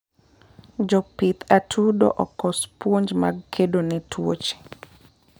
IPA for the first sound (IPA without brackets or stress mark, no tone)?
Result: d͡ʒ